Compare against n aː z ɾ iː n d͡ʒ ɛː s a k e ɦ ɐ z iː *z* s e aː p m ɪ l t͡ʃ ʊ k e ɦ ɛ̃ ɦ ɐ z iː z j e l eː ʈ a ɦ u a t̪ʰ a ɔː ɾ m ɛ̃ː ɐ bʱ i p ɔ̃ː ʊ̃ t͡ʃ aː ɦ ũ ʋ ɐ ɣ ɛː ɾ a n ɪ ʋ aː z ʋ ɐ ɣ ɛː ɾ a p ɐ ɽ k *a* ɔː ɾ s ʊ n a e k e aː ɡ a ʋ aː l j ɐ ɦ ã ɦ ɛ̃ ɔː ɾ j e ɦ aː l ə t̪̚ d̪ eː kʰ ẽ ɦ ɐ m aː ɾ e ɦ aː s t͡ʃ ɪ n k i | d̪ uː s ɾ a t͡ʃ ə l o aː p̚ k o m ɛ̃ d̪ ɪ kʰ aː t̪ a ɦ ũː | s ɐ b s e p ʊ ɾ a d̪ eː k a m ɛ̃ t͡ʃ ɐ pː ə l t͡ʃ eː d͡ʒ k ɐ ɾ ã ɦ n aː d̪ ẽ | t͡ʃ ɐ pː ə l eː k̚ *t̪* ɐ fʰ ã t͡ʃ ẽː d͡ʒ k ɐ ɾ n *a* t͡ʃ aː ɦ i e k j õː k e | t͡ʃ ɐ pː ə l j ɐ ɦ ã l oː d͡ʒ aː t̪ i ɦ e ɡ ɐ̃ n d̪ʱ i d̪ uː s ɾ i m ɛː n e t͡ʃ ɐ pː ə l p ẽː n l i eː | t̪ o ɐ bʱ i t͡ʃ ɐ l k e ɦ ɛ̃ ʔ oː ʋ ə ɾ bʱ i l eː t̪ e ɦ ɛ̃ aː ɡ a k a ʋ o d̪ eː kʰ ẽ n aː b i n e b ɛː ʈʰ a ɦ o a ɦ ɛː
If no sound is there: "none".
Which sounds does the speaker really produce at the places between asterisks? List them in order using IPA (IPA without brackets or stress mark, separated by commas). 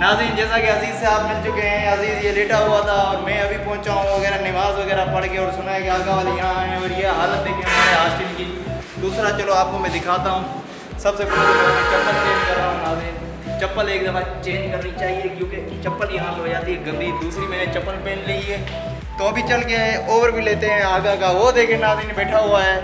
z, e, d̪, i